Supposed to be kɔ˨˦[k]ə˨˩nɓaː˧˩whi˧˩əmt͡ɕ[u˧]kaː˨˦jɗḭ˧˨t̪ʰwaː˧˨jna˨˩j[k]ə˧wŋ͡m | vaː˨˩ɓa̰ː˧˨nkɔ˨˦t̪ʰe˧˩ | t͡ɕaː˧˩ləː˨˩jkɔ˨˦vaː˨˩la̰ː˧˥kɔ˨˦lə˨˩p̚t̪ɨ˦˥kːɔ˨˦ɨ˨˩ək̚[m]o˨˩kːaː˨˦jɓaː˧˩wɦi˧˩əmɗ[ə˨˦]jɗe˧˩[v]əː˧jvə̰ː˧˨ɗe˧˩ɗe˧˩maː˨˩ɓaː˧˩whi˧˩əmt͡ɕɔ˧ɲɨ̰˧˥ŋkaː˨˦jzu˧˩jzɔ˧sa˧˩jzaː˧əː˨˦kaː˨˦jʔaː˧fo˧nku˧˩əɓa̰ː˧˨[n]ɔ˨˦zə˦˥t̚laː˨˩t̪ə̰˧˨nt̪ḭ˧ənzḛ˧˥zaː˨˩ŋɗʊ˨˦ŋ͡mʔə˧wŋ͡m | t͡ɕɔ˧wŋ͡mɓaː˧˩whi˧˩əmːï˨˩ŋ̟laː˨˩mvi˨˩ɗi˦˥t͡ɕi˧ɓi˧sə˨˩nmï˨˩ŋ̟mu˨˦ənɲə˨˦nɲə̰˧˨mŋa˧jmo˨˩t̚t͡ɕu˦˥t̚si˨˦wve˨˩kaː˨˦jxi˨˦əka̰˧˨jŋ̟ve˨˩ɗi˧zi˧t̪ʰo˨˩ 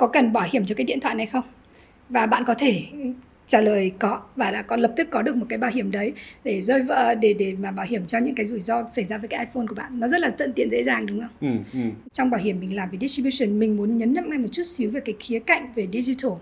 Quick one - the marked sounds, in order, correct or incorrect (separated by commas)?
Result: correct, incorrect, incorrect, correct, correct, incorrect, incorrect